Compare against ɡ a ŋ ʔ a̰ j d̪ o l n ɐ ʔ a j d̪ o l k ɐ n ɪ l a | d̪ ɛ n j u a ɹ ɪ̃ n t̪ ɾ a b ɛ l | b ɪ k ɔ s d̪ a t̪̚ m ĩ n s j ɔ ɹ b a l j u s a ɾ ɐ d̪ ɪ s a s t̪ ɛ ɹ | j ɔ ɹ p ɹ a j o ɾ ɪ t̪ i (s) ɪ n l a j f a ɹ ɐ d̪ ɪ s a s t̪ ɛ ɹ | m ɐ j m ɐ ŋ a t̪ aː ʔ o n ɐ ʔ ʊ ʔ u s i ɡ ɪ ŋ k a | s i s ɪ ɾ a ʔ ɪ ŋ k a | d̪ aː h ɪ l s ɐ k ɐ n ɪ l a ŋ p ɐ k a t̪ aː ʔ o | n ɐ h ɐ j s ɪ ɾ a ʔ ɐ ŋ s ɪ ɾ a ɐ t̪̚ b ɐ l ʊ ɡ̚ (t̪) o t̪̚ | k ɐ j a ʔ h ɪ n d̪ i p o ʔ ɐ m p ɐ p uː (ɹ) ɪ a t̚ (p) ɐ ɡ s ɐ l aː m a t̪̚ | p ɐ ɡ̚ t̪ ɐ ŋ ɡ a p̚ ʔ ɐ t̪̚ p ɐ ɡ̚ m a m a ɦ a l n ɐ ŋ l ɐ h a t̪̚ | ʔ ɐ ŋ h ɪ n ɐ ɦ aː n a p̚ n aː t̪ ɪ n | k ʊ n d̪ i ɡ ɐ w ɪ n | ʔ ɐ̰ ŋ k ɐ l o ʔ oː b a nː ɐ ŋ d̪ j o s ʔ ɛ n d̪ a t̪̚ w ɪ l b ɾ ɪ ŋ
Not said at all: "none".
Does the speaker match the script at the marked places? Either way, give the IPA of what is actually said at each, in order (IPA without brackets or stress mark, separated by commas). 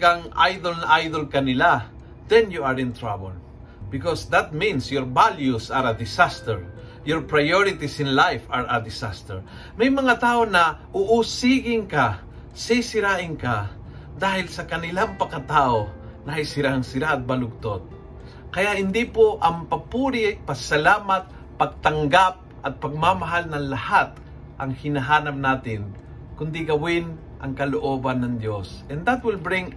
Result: s, t̪, ɾ, p